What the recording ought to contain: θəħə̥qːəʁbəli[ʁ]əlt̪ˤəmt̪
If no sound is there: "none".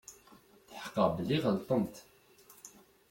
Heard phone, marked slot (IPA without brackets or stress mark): ʁ